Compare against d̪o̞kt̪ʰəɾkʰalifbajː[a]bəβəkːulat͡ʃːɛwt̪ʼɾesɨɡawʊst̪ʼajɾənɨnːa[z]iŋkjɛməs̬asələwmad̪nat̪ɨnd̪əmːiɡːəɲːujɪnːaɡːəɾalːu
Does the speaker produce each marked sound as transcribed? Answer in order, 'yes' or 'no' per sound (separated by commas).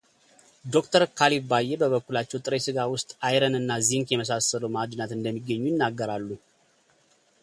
no, yes